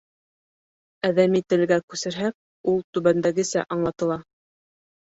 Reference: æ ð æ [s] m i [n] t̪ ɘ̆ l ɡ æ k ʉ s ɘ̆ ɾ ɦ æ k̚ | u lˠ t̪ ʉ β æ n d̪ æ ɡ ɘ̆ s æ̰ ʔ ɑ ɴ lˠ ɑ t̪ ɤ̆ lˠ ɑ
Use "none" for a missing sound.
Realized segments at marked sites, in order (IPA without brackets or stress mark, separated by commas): none, none